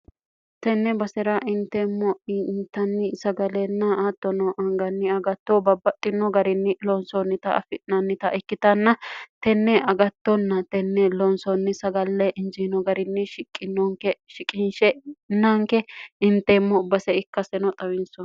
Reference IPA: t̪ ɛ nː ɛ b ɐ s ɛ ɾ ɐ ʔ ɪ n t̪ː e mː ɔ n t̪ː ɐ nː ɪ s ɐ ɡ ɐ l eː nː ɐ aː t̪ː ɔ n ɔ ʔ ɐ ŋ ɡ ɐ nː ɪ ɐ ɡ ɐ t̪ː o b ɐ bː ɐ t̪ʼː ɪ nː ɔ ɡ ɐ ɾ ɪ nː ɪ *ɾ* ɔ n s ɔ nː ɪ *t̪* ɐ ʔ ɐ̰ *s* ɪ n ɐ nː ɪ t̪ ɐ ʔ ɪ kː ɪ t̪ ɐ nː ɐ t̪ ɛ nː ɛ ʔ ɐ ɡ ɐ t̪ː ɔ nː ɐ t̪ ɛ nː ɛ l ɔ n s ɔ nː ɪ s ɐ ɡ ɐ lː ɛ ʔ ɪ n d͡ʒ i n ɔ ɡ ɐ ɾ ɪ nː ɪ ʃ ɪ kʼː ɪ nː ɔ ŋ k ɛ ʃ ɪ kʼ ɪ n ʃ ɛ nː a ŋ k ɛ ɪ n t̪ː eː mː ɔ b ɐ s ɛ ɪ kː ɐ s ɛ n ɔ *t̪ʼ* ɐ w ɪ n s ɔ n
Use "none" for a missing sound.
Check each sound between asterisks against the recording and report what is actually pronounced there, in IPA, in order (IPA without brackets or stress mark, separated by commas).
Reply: l, t̪, f, t̪ʼ